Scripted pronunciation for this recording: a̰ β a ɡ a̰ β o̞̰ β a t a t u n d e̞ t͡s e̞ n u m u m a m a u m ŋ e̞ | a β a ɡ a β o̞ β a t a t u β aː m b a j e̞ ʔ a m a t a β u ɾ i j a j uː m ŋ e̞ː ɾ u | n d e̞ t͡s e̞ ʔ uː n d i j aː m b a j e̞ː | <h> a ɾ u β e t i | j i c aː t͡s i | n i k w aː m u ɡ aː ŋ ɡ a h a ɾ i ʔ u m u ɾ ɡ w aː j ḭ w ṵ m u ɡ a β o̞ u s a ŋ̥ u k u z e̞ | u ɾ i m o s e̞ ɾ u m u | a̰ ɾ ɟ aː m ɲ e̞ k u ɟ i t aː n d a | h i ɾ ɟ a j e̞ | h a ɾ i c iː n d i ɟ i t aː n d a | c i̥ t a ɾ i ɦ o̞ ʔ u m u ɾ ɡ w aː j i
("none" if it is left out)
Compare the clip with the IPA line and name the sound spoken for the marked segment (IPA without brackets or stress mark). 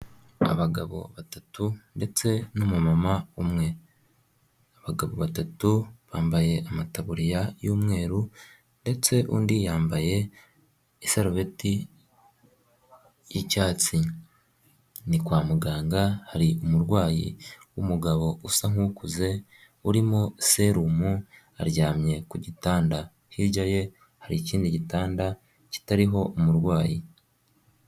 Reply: s